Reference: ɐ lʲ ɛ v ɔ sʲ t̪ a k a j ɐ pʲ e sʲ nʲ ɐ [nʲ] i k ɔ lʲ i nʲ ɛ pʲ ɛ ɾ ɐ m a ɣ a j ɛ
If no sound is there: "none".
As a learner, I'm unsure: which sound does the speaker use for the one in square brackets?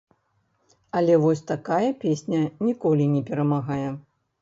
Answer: nʲ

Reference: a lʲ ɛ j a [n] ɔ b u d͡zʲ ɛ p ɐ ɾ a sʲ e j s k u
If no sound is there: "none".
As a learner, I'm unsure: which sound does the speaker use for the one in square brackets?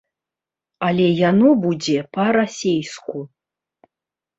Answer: n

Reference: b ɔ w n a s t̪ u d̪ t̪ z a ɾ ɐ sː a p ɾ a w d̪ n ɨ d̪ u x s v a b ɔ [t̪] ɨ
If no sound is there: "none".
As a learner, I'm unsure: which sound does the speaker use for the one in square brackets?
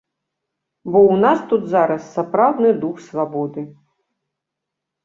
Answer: d̪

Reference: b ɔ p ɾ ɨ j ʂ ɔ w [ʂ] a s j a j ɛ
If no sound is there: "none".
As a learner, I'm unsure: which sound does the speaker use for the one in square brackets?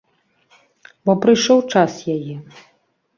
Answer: t͡ʂ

